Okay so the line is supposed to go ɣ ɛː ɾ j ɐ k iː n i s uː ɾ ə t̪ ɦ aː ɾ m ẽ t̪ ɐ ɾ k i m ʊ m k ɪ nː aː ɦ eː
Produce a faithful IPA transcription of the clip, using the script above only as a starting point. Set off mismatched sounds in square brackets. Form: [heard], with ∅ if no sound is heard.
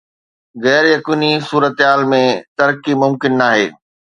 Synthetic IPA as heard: ɣ ɛː ɾ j ɐ k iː n i s uː ɾ ə t̪ ɦ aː [l] m ẽ t̪ ɐ ɾ k i m ʊ m k ɪ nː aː ɦ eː

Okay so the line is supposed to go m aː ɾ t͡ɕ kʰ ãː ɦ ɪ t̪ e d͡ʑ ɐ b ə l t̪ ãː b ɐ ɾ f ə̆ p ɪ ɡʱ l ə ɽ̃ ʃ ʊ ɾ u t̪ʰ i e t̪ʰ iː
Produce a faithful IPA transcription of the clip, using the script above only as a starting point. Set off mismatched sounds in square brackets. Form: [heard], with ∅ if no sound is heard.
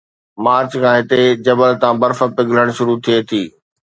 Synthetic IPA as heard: m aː ɾ t͡ɕ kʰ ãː ɦ ɪ t̪ e d͡ʑ ɐ b ə l t̪ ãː b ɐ ɾ f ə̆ p ɪ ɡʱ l ə ɽ̃ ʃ ʊ ɾ u t̪ʰ i e t̪ʰ iː

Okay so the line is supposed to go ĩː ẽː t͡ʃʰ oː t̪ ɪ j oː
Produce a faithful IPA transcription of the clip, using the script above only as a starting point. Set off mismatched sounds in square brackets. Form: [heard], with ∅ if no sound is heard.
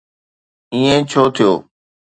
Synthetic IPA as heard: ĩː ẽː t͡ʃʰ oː [t̪ʰ] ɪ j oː

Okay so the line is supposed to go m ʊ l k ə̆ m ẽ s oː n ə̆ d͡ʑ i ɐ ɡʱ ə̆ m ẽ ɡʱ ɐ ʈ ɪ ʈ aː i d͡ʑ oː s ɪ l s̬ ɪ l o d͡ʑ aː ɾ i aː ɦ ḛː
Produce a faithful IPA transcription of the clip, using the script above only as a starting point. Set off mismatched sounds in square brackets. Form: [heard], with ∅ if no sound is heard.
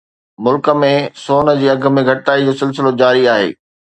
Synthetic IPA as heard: m ʊ l k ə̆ m ẽ s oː n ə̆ d͡ʑ [iː] ɐ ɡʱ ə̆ m ẽ ɡʱ ɐ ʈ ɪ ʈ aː i d͡ʑ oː s ɪ l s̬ ɪ l o d͡ʑ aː ɾ i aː ɦ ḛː

